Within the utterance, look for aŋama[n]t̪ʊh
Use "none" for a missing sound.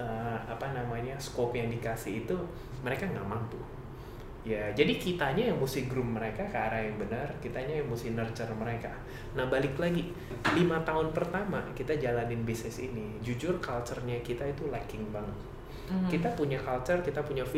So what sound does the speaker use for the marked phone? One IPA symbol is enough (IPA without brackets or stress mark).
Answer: ŋ